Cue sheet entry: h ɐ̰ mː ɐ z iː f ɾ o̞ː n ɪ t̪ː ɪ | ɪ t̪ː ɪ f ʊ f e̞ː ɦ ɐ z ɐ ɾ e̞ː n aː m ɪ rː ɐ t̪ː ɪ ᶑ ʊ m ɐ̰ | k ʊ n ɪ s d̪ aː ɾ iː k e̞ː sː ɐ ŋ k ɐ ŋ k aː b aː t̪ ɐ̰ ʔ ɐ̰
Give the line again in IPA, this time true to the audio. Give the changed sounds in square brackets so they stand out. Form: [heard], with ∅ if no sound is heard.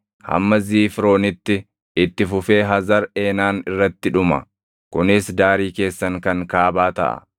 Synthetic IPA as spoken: h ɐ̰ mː ɐ z iː f ɾ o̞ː n ɪ t̪ː ɪ | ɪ t̪ː ɪ f ʊ f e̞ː ɦ ɐ z ɐ ɾ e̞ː n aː [n] ɪ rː ɐ t̪ː ɪ ᶑ ʊ m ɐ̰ | k ʊ n ɪ s d̪ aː ɾ iː k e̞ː sː ɐ ŋ k ɐ ŋ k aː b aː t̪ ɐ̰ ʔ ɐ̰